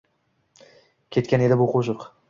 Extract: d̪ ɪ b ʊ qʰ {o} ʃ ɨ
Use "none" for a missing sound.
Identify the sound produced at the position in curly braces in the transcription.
o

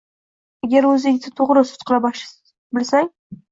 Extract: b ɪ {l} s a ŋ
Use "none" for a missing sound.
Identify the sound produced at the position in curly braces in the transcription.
l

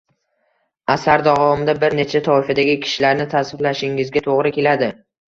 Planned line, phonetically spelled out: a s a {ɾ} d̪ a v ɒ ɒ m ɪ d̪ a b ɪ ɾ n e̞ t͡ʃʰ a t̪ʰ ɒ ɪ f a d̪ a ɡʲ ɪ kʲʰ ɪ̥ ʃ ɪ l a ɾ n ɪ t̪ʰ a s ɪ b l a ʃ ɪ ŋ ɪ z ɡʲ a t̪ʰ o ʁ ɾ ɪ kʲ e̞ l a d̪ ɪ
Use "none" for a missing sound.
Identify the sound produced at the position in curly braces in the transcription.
ɾ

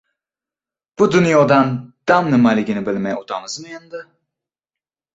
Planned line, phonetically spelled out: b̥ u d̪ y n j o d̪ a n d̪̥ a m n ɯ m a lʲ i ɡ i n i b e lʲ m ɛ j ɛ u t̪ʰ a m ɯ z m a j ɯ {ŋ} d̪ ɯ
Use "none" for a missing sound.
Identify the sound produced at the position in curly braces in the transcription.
n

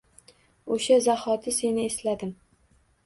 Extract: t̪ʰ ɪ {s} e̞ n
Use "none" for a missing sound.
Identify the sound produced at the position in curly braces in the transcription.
s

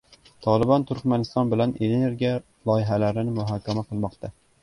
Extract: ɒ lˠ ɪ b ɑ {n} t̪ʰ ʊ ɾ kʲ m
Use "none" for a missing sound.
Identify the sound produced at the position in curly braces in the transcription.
n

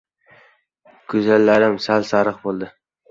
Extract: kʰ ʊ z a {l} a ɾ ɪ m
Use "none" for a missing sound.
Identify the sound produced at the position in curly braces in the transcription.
lː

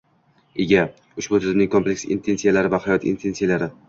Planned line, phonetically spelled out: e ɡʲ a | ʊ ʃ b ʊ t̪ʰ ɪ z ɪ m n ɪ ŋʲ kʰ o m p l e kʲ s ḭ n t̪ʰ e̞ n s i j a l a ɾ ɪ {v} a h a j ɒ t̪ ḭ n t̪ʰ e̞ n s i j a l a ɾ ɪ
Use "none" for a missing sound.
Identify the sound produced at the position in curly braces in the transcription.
v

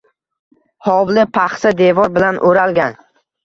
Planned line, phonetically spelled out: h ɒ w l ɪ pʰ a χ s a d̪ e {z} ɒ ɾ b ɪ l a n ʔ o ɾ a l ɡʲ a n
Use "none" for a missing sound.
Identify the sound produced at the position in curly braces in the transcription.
v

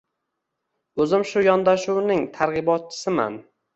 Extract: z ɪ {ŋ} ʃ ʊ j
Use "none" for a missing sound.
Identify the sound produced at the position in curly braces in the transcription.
m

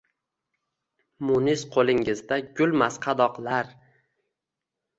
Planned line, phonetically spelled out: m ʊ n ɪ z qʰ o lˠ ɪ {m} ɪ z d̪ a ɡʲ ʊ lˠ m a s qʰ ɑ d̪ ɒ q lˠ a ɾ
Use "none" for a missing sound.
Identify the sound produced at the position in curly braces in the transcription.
ŋ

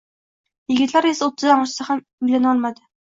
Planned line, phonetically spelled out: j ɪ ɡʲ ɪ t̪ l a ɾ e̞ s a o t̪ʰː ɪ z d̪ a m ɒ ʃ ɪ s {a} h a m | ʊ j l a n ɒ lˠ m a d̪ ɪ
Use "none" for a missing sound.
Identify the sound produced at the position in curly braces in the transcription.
a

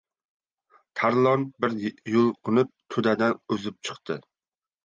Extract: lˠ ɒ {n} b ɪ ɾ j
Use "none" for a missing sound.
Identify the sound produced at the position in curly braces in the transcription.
n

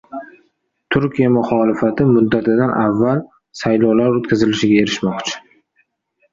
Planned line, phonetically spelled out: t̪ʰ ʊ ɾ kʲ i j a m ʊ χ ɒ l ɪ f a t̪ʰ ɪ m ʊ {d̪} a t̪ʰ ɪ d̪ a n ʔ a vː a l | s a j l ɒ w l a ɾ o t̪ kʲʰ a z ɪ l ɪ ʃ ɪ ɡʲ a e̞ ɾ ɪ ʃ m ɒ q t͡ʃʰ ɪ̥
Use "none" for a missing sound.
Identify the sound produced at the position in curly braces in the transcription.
d̪ː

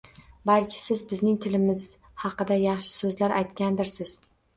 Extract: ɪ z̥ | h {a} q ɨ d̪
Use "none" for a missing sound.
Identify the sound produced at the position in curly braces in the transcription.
ɑ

